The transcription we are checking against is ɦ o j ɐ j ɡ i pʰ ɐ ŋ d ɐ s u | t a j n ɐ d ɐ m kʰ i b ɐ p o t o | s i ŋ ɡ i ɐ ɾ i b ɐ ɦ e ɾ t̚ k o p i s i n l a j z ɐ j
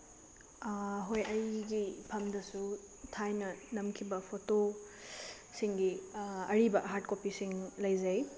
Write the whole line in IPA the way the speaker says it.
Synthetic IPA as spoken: ɦ o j ɐ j ɡ i pʰ ɐ m d ɐ s u | tʰ a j n ɐ n ɐ m kʰ i b ɐ pʰ o t o | s i ŋ ɡ i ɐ ɾ i b ɐ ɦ a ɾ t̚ k o p i s i ŋ l ɐ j z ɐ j